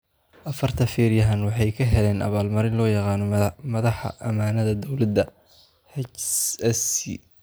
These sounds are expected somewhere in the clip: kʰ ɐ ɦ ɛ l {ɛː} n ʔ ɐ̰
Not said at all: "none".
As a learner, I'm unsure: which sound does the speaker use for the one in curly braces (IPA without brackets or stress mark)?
ɛː